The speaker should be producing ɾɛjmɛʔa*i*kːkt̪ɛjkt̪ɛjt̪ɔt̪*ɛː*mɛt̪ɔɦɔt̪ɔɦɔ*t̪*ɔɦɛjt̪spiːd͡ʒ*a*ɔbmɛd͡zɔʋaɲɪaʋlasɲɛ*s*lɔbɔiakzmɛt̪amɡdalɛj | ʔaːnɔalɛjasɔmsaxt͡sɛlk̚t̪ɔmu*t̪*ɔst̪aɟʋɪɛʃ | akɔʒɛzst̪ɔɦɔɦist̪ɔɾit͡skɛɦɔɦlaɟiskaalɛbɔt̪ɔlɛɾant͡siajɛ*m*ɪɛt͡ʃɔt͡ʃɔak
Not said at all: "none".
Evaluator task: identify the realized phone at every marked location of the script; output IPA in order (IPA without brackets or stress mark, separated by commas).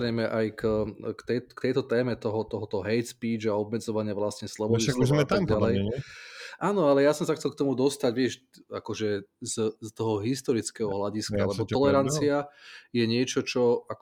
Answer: j, ɛː, t̪, a, s, d̪, ɲ